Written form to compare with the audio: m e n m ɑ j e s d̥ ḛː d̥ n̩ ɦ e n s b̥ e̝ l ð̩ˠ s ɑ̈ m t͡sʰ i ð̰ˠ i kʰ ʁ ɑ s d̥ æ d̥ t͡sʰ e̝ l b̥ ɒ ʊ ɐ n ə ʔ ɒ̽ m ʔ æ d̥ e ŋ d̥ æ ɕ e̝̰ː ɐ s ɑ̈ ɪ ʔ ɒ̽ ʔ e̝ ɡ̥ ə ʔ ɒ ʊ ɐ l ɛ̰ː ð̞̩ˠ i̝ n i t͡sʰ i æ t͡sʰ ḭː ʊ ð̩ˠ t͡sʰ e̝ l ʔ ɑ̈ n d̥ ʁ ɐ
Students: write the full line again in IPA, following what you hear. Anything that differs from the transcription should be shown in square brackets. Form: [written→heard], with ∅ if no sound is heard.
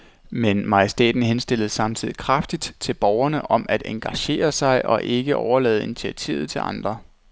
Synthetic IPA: m e n m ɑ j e s d̥ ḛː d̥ n̩ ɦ e n s [b̥→d̥] e̝ l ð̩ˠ s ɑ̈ m t͡sʰ i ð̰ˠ i kʰ ʁ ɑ [s→f] d̥ [æ→i] d̥ t͡sʰ e̝ l b̥ ɒ ʊ ɐ n ə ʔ ɒ̽ m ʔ æ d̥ e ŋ [d̥→ɡ̥] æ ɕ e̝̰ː ɐ s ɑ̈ ɪ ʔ ɒ̽ ʔ e̝ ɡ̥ ə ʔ ɒ ʊ ɐ l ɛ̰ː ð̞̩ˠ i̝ n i t͡sʰ i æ t͡sʰ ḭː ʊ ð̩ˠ t͡sʰ e̝ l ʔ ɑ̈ n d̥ ʁ ɐ

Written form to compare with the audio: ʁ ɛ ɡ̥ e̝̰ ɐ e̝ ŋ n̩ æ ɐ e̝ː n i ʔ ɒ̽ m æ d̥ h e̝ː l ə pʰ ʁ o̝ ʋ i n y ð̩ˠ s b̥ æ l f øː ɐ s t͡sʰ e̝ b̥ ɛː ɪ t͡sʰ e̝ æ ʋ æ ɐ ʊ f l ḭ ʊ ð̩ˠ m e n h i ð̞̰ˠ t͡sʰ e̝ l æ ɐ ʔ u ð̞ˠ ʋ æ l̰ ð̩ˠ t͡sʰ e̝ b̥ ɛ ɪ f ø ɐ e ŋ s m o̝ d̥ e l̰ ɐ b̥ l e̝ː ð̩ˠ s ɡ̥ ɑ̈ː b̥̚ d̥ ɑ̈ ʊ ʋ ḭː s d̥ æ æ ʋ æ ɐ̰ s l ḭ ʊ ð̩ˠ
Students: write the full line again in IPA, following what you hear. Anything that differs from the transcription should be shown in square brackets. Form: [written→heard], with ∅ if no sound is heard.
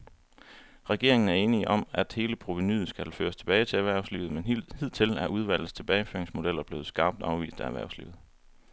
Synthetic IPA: ʁ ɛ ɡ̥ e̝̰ ɐ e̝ ŋ n̩ æ ɐ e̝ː n i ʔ ɒ̽ m æ d̥ h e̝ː l ə pʰ ʁ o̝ ʋ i n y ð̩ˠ s [b̥→ɡ̥] æ l f øː ɐ s t͡sʰ e̝ b̥ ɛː ɪ t͡sʰ e̝ æ ʋ æ ɐ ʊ [f→s] l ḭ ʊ ð̩ˠ m e n h i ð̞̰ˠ t͡sʰ e̝ l æ ɐ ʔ u ð̞ˠ ʋ æ l̰ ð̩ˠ t͡sʰ e̝ b̥ ɛ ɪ f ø ɐ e ŋ s m o̝ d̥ e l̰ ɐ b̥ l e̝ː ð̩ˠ s ɡ̥ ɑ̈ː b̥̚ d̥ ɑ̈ ʊ ʋ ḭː s d̥ æ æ ʋ æ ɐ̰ s l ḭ ʊ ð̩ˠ

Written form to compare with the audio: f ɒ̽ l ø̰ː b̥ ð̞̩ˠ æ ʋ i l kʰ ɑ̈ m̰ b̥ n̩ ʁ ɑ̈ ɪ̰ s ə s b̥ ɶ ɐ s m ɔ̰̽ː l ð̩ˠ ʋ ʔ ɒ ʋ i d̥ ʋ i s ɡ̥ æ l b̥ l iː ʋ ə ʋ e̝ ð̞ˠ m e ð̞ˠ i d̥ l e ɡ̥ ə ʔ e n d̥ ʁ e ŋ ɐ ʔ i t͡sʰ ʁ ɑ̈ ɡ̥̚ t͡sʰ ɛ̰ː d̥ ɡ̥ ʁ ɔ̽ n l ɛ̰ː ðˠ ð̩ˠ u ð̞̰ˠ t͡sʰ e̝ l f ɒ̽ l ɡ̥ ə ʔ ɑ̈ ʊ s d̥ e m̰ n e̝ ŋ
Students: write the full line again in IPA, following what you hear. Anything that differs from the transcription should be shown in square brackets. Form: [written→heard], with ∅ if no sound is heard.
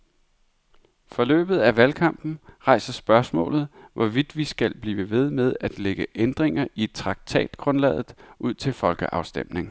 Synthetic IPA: f ɒ̽ l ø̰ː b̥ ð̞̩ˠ æ ʋ [i→æ] l kʰ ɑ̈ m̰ b̥ n̩ ʁ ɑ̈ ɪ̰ s [ə→ɐ] s b̥ ɶ ɐ s m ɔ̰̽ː l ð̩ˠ ʋ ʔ ɒ ʋ i d̥ ʋ i s ɡ̥ æ l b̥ l iː ʋ ə ʋ e̝ ð̞ˠ m e ð̞ˠ [i→æ] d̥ l e ɡ̥ ə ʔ e n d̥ ʁ e ŋ ɐ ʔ i t͡sʰ ʁ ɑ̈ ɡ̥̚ t͡sʰ ɛ̰ː d̥ ɡ̥ ʁ ɔ̽ n l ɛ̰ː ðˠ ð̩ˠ u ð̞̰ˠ t͡sʰ e̝ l f ɒ̽ l ɡ̥ ə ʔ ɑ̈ ʊ s d̥ e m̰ n e̝ ŋ

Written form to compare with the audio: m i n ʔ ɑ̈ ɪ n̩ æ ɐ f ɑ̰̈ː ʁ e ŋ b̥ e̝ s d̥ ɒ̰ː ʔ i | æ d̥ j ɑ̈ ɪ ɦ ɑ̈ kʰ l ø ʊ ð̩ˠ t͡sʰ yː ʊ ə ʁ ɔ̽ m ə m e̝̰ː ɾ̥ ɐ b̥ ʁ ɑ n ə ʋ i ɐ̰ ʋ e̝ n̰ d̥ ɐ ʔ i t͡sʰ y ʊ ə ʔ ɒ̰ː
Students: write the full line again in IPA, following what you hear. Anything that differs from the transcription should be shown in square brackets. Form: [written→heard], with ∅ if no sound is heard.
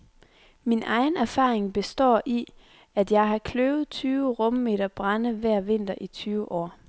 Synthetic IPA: m i n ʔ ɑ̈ ɪ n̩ æ ɐ f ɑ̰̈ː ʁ e ŋ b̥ e̝ s d̥ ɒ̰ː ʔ i | æ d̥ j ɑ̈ ɪ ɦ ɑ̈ kʰ l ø ʊ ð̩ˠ t͡sʰ yː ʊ ə ʁ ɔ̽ m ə m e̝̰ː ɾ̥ ɐ b̥ ʁ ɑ n ə ʋ [i→æ] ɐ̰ ʋ e̝ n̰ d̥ ɐ ʔ i t͡sʰ [y→yː] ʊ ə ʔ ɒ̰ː

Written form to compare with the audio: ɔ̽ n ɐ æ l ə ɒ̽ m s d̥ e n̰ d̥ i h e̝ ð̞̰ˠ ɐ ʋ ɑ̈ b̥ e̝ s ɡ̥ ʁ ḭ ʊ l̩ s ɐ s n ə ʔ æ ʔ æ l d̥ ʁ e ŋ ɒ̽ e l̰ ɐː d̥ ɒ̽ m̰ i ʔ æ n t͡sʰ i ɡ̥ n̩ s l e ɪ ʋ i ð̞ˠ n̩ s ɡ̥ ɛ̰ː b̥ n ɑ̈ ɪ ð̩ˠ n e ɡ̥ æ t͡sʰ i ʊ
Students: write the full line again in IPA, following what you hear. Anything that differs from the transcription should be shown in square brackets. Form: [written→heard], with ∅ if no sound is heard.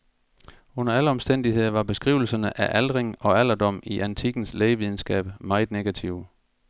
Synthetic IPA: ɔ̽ n ɐ æ l ə ɒ̽ m s d̥ e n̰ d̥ i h e̝ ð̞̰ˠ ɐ ʋ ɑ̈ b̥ e̝ s ɡ̥ ʁ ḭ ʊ l̩ s ɐ [s→∅] n ə ʔ æ ʔ æ l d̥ ʁ e ŋ ɒ̽ [e→æ] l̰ [ɐː→ɐ] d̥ ɒ̽ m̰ i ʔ æ n t͡sʰ i ɡ̥ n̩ s l e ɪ ʋ i ð̞ˠ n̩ s ɡ̥ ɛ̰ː b̥ [n→m] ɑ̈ ɪ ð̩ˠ n e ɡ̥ æ t͡sʰ i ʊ

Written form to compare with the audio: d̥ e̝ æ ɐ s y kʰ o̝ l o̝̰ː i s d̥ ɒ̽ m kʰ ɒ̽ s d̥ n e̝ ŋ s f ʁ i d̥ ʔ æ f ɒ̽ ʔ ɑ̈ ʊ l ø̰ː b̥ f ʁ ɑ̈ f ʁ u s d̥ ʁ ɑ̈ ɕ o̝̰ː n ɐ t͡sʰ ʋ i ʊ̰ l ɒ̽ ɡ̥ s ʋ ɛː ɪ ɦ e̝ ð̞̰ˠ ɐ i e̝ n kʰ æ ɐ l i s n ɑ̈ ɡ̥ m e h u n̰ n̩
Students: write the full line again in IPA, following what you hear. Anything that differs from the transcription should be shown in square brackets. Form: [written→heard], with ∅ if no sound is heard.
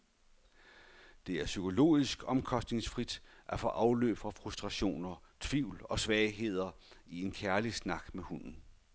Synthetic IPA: d̥ e̝ æ ɐ s y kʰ o̝ l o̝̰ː i s [d̥→ɡ̥] ɒ̽ m kʰ ɒ̽ s d̥ n e̝ ŋ s f ʁ i d̥ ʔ æ f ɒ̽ ʔ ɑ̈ ʊ l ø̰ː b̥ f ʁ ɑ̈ f ʁ u s d̥ ʁ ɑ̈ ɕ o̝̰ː n ɐ t͡sʰ ʋ i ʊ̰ l ɒ̽ [ɡ̥→∅] s ʋ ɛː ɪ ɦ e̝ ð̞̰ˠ ɐ i e̝ n kʰ æ ɐ l i s n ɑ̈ ɡ̥ m e h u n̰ n̩

